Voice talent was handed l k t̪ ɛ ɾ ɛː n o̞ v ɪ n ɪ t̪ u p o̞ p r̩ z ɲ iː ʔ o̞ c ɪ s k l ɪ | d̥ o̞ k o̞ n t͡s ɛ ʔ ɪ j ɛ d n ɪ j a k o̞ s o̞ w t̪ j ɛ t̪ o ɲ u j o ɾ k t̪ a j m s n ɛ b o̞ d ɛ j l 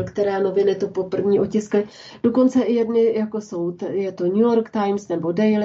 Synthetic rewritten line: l k t̪ ɛ ɾ aː n o̞ v ɪ n ɪ t̪ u p o̞ p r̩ v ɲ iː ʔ o̞ c ɪ s k l ɪ | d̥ o̞ k o̞ n t͡s ɛ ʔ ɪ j ɛ d n ɪ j a k o̞ s o̞ w t̪ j ɛ t̪ o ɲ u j o ɾ k t̪ a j m s n ɛ b o̞ d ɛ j l